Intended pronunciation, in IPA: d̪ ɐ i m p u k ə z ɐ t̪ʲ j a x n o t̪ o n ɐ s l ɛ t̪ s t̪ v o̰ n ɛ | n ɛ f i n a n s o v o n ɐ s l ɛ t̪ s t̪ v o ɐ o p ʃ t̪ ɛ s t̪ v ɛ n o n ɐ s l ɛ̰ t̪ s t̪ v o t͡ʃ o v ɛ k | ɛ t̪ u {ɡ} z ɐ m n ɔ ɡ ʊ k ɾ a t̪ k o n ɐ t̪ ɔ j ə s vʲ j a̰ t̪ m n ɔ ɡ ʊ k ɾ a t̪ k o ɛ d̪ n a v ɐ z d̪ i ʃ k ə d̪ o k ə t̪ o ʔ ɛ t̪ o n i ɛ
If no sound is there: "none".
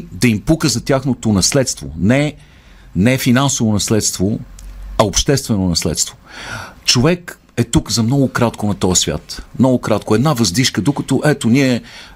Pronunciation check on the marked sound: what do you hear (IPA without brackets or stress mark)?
k